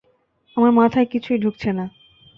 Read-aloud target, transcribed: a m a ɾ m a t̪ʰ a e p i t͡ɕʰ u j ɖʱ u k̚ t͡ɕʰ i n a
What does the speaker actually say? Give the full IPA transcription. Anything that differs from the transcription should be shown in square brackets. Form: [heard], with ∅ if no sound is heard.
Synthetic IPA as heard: a m a ɾ m a t̪ʰ a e [k] i t͡ɕʰ u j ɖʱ u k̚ t͡ɕʰ [e] n a